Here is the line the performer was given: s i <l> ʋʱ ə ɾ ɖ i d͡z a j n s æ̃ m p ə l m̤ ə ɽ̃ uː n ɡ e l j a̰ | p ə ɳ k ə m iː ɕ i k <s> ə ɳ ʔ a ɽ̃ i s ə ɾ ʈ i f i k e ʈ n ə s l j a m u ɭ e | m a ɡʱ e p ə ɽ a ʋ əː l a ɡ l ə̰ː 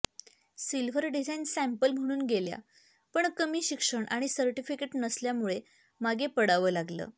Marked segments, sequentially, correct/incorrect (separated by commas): correct, incorrect